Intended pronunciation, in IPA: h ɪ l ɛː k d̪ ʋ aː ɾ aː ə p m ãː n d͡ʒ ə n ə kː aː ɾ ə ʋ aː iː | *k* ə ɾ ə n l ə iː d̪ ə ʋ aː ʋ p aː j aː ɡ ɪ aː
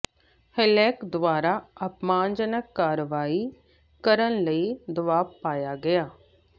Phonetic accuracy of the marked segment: correct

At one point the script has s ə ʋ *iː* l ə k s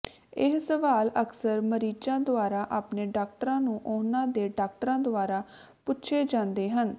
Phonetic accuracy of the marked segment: incorrect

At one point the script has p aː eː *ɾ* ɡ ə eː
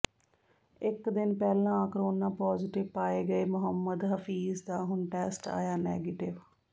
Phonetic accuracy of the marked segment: incorrect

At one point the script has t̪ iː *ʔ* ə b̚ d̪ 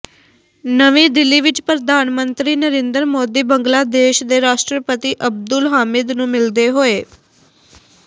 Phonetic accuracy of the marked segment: correct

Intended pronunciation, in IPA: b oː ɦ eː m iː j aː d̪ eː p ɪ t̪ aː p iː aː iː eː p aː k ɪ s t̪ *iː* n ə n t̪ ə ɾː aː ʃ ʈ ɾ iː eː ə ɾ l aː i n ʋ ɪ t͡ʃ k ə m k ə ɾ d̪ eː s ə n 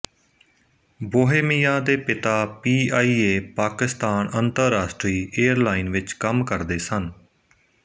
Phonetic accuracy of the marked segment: incorrect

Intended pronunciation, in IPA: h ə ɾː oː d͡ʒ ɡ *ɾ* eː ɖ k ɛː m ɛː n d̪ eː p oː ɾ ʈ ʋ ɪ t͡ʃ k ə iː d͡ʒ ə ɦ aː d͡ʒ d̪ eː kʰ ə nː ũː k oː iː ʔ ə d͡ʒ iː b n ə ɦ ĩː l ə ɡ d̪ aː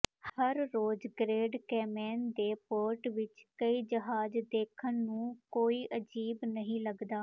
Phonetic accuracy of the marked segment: correct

